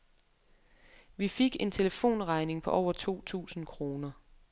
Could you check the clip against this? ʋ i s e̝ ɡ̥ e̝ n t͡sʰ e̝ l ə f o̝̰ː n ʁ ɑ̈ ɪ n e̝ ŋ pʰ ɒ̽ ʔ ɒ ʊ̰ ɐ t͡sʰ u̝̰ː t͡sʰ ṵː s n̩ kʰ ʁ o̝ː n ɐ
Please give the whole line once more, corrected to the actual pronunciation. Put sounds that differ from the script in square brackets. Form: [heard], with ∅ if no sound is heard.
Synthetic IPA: ʋ i [f] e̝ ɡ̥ e̝ n t͡sʰ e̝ l ə f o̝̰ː n ʁ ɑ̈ ɪ n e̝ ŋ pʰ ɒ̽ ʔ ɒ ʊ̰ ɐ t͡sʰ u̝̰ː t͡sʰ ṵː s n̩ kʰ ʁ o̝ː n ɐ